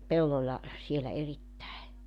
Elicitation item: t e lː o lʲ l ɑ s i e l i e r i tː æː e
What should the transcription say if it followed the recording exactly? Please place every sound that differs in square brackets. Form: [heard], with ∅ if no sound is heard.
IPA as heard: [p] e lː o lʲ l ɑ s i e l [æ] e r i tː [æ] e